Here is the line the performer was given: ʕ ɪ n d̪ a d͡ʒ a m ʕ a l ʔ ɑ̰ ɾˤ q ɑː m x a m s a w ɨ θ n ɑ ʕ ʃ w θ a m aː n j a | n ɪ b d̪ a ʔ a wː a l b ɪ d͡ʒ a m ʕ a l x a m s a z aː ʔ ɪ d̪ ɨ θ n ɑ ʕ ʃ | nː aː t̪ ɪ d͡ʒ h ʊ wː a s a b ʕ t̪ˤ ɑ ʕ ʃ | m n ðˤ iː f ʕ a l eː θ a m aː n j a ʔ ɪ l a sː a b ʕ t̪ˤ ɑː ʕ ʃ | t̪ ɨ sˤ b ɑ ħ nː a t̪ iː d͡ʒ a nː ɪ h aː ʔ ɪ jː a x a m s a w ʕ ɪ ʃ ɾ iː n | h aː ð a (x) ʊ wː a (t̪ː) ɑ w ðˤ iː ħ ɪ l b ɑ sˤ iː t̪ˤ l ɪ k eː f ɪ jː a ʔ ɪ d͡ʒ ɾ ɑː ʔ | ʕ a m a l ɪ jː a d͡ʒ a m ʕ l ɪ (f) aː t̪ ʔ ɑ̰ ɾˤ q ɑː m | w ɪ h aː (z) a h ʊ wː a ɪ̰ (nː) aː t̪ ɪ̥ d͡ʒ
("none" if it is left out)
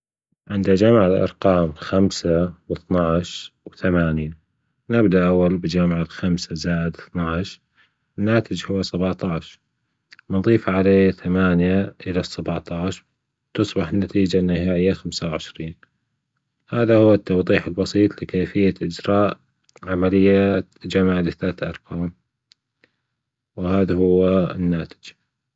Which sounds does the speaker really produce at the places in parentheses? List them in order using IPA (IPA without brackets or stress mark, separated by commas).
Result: h, t̪ː, θ, ð, nː